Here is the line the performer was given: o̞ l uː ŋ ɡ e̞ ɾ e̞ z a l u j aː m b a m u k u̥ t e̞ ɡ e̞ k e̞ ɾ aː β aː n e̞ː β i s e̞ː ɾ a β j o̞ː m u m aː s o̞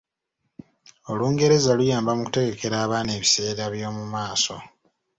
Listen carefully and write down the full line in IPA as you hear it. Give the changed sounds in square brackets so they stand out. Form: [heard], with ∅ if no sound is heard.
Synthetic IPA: o̞ l uː ŋ ɡ e̞ ɾ e̞ z a l u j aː m b a m u k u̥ t e̞ ɡ e̞ k e̞ ɾ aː β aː n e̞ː β i s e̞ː ɾ a β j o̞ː m u m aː s o̞